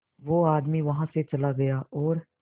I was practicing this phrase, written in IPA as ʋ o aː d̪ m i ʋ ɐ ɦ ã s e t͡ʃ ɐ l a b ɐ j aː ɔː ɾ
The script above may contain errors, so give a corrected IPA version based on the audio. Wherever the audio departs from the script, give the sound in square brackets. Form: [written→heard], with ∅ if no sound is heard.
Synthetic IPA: ʋ o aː d̪ m i ʋ ɐ ɦ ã s e t͡ʃ ɐ l a [b→ɡ] ɐ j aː ɔː ɾ